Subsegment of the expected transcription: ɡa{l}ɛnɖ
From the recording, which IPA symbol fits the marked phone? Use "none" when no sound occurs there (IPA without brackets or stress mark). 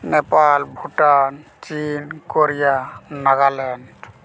l